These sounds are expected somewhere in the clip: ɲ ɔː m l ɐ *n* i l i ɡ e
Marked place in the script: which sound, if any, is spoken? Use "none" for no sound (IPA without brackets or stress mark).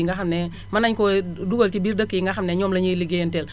ɲ